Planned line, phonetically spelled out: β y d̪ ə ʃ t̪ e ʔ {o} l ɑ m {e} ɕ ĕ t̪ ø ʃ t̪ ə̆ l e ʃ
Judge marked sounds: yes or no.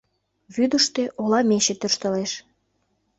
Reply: yes, yes

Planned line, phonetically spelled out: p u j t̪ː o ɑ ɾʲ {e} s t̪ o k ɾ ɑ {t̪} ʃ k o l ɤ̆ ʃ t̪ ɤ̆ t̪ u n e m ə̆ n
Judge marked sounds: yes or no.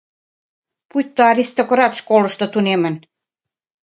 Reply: no, yes

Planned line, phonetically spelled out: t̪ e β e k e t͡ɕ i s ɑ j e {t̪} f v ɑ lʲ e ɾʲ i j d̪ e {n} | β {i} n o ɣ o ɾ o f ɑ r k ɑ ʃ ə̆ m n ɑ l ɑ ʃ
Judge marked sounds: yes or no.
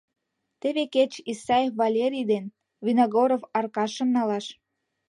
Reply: no, yes, yes

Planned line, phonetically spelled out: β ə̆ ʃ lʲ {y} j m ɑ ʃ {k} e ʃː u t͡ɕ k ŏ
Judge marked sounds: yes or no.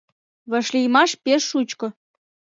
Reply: no, no

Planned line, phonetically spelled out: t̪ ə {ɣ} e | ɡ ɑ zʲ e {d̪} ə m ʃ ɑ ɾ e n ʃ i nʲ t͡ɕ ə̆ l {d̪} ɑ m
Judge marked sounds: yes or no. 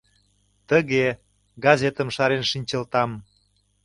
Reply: yes, no, no

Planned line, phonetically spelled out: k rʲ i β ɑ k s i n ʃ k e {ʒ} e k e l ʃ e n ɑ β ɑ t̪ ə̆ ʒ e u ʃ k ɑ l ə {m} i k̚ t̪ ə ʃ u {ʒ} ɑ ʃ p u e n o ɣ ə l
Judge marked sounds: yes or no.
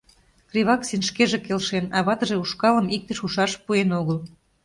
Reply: yes, yes, no

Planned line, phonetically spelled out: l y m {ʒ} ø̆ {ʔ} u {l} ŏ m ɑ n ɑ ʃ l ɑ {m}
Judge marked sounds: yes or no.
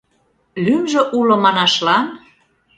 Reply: yes, yes, yes, no

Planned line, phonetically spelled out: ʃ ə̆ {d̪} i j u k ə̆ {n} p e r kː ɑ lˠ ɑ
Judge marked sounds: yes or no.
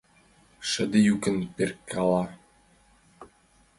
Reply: yes, yes

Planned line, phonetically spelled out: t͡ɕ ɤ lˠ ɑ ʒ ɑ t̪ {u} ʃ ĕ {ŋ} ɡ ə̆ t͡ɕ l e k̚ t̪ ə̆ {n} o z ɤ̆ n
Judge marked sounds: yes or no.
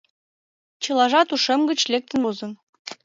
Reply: yes, no, yes

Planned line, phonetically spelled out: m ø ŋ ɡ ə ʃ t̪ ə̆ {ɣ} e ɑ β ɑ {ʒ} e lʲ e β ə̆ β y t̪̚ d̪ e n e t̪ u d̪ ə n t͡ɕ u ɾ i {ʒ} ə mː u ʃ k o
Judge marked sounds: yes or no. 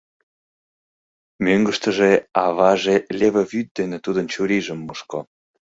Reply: no, yes, yes

